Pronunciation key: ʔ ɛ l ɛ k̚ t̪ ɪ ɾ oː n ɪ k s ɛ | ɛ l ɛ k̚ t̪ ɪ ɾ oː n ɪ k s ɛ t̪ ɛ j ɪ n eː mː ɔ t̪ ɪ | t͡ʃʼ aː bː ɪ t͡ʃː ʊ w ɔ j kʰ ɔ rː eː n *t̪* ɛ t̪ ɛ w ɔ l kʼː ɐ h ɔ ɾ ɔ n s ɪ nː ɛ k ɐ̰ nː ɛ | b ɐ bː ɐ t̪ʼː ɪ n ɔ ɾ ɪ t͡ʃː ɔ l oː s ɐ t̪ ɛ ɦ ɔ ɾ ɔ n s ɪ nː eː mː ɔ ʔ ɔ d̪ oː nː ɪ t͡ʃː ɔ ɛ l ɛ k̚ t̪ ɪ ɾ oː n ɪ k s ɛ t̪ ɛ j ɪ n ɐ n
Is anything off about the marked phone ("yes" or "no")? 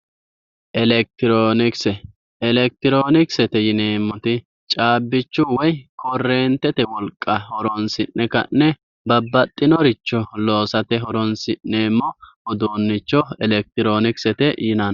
no